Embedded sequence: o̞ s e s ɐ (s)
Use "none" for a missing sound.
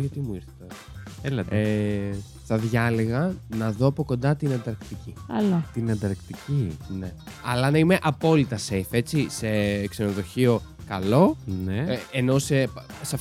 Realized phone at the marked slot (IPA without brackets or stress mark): f